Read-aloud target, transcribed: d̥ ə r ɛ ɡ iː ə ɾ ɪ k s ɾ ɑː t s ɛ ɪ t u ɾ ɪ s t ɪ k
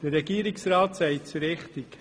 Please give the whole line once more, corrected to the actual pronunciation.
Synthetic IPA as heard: d̥ ə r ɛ ɡ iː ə ɾ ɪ k s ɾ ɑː t s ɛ ɪ t͡s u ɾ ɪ χ t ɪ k